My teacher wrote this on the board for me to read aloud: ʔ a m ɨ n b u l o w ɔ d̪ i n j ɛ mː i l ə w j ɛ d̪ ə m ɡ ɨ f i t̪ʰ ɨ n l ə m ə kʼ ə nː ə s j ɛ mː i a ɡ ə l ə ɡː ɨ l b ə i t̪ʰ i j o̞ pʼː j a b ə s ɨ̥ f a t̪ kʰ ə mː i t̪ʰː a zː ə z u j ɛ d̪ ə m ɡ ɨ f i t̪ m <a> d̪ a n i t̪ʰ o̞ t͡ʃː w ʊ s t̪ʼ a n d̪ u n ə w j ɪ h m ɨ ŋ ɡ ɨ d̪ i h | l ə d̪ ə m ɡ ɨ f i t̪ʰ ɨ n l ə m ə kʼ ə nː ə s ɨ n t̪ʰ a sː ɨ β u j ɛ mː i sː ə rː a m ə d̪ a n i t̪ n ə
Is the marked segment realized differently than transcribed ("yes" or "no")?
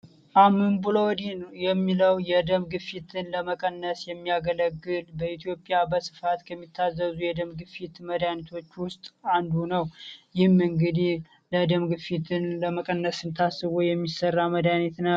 yes